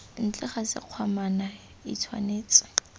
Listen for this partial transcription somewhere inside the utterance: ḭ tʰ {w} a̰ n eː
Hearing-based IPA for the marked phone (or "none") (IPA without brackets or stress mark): w